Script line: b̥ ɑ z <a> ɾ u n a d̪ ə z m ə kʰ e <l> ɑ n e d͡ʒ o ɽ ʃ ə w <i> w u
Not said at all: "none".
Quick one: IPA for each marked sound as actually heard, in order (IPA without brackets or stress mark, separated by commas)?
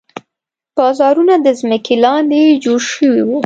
ɑ, l, i